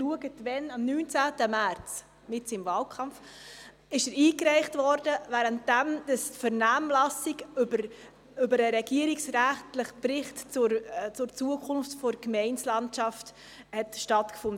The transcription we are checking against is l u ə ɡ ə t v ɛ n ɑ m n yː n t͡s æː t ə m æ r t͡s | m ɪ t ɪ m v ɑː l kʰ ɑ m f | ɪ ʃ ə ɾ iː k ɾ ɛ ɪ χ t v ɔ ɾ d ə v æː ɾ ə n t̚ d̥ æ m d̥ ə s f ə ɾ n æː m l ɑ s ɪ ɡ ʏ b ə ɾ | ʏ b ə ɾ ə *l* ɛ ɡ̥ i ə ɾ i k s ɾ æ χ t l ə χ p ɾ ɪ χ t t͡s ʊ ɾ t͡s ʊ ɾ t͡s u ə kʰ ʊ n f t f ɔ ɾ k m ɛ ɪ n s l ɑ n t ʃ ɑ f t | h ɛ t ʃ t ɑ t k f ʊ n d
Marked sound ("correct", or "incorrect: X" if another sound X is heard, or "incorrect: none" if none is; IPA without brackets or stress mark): incorrect: ɾ